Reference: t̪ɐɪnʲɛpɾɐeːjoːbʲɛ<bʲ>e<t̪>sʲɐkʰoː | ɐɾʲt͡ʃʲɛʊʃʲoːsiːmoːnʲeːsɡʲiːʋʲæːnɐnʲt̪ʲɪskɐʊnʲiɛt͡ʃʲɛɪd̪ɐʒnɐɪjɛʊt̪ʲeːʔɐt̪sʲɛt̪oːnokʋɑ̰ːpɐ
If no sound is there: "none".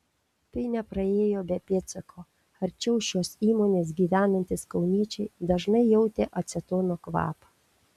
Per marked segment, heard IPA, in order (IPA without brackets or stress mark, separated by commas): pʲ, t̪